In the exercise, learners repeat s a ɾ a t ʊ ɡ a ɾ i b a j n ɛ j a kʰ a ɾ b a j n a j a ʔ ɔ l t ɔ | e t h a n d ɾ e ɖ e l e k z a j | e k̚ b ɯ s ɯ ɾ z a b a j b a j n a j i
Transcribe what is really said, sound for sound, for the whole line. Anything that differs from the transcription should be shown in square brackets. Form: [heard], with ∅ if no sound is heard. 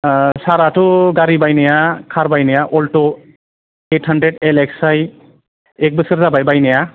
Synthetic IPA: s a ɾ a t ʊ ɡ a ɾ i b a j n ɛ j a kʰ a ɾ b a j n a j a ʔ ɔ l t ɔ | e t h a n d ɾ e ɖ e l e k [s] a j | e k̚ b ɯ s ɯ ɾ z a b a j b a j n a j [a]